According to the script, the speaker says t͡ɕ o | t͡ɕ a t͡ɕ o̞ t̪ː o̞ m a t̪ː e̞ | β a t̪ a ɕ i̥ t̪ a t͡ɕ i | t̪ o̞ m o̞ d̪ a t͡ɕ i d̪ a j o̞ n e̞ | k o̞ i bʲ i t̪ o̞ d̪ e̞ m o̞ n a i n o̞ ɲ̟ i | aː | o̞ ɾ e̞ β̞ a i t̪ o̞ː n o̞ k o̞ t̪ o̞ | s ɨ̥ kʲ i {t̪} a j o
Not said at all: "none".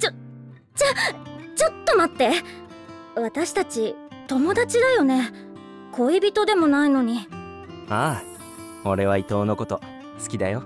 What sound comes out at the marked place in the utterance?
d̪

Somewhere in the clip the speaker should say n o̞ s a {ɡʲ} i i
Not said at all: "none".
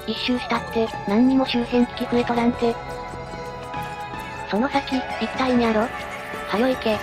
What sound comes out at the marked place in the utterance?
kʲ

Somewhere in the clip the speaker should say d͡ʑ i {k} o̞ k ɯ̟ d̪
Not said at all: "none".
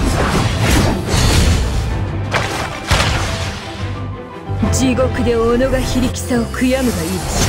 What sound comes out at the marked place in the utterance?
ɡ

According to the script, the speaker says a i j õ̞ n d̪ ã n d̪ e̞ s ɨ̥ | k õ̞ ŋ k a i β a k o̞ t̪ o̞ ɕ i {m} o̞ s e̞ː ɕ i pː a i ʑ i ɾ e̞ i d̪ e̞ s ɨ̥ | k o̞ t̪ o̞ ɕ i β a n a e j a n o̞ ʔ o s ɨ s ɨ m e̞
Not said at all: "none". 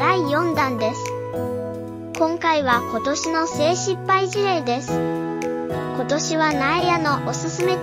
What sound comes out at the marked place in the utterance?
n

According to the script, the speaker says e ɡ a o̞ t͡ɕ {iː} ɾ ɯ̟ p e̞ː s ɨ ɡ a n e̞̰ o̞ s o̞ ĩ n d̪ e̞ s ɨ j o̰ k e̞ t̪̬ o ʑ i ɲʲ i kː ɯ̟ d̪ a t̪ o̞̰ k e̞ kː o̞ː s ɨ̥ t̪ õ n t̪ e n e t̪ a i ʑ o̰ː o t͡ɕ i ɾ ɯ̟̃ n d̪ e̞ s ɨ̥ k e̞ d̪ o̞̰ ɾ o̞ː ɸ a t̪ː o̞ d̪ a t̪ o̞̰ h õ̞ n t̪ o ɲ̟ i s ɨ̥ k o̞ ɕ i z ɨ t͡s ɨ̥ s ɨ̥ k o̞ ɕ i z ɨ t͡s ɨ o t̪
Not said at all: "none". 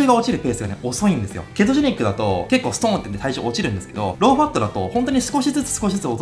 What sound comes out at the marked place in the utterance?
i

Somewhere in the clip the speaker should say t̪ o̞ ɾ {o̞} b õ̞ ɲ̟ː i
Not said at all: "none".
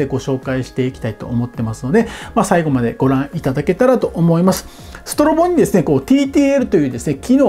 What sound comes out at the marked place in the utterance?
o̞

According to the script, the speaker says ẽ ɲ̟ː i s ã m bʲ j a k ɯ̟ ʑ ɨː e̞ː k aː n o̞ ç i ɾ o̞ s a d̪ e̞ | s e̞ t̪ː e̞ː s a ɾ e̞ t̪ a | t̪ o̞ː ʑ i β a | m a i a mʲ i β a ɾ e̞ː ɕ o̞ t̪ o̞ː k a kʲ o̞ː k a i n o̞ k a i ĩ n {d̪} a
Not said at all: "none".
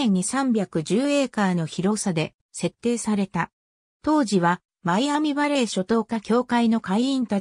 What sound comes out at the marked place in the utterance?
t̪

